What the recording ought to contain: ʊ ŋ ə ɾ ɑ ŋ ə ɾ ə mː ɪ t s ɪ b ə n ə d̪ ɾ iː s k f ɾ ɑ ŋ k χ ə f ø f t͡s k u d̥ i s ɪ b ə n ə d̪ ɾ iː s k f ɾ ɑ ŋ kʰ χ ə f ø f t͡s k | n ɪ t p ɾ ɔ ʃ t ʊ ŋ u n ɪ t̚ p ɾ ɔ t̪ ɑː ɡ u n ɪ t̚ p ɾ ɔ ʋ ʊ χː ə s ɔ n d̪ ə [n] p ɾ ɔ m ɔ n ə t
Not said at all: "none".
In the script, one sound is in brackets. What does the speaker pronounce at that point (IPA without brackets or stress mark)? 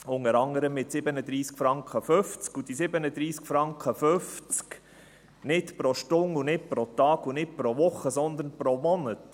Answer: n